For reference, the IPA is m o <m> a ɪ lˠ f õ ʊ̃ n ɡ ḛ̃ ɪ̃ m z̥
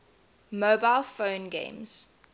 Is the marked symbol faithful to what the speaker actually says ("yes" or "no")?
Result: no